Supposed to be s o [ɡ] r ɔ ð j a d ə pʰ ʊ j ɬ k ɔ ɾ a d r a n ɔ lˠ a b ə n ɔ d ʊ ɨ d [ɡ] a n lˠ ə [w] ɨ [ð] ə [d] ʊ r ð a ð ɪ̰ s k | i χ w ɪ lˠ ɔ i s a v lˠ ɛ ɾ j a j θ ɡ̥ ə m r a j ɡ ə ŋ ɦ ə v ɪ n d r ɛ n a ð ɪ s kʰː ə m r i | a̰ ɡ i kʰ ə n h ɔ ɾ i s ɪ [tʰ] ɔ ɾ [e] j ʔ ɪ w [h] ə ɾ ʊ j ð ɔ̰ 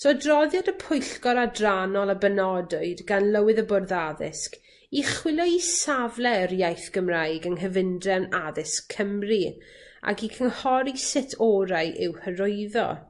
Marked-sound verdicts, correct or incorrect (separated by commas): incorrect, correct, correct, correct, incorrect, correct, incorrect, correct